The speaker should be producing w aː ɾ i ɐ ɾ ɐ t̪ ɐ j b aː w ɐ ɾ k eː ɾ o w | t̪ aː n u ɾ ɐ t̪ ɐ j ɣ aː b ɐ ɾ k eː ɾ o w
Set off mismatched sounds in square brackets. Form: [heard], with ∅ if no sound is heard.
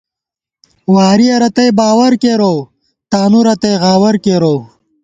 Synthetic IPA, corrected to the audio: w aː ɾ i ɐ ɾ ɐ t̪ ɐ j b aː w ɐ ɾ k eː ɾ o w | t̪ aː n u ɾ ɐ t̪ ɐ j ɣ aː [w] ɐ ɾ k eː ɾ o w